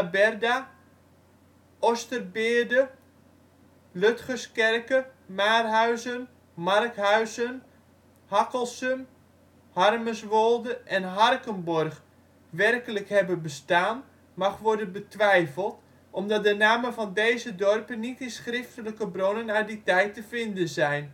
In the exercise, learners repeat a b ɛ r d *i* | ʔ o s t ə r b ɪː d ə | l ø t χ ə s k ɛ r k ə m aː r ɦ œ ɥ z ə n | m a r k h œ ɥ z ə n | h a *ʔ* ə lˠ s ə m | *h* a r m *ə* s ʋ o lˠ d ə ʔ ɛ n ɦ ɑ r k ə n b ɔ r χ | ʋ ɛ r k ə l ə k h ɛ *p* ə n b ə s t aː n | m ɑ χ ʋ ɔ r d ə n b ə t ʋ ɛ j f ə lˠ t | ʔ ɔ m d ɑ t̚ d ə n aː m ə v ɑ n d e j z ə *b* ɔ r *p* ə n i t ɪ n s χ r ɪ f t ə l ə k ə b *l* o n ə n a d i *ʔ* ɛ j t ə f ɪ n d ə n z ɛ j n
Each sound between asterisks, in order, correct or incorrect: incorrect, incorrect, correct, correct, incorrect, incorrect, correct, incorrect, incorrect

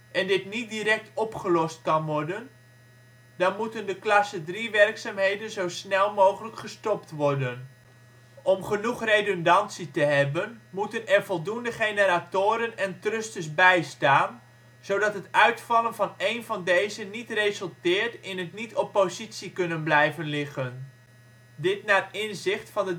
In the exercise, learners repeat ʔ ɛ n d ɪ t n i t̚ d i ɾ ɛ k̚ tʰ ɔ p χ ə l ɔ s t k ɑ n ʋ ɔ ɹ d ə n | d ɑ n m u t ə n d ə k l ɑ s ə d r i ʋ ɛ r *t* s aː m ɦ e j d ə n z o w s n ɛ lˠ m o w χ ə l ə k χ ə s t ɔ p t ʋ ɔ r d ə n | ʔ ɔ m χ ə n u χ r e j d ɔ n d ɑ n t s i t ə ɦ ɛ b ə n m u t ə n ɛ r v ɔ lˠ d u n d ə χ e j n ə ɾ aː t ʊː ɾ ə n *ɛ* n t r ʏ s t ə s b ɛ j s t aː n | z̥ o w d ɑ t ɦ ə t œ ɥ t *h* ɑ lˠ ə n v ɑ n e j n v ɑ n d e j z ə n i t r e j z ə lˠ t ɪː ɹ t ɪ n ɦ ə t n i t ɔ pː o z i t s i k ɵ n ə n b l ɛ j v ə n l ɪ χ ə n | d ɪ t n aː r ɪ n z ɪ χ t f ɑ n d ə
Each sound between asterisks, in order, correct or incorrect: incorrect, correct, incorrect

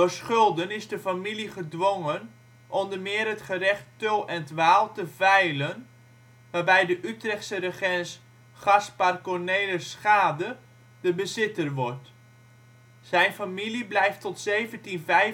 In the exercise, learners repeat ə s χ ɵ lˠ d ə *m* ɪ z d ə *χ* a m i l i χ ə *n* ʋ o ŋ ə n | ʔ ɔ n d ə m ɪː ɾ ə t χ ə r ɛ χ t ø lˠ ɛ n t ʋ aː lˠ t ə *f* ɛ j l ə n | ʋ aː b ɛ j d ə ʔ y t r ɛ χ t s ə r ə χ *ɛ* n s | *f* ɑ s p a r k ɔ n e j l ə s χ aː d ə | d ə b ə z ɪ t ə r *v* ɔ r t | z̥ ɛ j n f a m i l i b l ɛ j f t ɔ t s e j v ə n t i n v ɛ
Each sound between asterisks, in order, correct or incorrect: incorrect, incorrect, incorrect, incorrect, correct, incorrect, incorrect

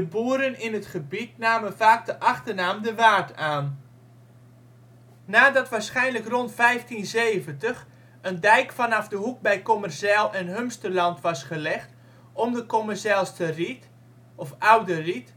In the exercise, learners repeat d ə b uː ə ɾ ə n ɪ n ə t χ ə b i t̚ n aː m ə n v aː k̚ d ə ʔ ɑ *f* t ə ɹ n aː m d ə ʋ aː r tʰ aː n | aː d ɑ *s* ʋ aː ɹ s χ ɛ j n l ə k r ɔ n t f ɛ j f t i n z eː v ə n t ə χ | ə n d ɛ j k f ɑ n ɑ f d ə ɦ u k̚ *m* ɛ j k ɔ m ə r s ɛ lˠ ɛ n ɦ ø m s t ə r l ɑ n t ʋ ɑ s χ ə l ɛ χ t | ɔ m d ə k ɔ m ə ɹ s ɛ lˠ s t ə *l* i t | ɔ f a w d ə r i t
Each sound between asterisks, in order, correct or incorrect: incorrect, incorrect, incorrect, incorrect

